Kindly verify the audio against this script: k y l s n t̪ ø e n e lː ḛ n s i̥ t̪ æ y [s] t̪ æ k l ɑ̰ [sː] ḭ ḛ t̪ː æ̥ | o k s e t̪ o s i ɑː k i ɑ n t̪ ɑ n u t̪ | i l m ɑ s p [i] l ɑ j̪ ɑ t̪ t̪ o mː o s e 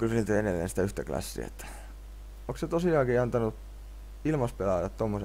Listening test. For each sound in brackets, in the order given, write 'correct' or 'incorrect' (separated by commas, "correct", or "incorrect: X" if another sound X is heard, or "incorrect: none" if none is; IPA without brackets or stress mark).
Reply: incorrect: h, correct, incorrect: e